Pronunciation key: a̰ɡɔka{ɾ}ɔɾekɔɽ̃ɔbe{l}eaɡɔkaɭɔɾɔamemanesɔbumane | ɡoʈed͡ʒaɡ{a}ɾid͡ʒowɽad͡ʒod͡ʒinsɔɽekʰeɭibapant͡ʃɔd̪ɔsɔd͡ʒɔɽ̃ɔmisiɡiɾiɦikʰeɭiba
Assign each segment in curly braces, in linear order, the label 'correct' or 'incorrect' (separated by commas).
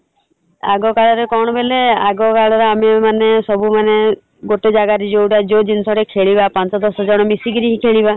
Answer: incorrect, correct, correct